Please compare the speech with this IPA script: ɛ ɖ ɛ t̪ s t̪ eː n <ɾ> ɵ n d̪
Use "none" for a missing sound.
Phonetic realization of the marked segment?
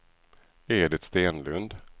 l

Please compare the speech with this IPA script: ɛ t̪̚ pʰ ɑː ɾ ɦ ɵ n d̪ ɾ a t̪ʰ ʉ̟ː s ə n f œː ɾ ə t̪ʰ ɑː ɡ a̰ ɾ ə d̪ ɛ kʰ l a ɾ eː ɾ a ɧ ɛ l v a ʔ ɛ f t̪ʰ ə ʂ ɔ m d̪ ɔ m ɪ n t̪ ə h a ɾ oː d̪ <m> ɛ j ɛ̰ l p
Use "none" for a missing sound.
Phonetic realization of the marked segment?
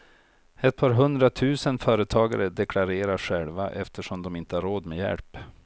m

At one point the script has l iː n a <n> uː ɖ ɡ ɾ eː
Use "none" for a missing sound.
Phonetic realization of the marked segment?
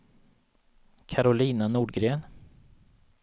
n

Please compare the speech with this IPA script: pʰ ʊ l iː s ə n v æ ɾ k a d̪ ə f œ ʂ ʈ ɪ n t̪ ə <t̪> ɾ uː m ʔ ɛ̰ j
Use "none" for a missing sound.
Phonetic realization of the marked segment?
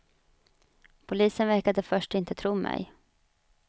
t̪ʰ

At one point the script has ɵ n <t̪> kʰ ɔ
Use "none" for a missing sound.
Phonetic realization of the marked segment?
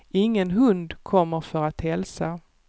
d̪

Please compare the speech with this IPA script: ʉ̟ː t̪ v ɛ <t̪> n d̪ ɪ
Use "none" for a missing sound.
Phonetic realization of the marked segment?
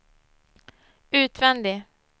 none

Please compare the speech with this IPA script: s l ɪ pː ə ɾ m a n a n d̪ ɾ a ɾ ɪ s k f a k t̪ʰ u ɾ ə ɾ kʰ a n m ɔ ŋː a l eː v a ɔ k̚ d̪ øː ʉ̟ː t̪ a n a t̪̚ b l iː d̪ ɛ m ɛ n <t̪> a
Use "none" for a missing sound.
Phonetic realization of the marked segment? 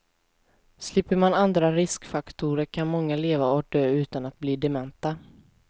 t̪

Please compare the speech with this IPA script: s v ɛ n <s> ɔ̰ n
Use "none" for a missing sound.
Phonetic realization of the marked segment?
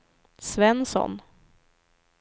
s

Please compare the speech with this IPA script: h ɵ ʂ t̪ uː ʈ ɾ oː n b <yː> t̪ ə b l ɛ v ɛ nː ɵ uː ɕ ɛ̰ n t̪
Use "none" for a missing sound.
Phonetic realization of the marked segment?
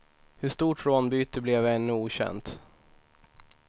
yː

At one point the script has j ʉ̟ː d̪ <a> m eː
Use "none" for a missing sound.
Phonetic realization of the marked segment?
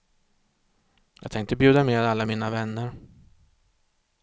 a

